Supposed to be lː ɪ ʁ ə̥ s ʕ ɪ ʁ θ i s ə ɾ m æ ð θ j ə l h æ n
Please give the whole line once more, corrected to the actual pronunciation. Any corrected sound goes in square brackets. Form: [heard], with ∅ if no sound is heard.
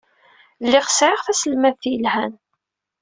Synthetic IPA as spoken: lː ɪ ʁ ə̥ s ʕ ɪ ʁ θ [æ] s ə [l] m æ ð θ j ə l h æ n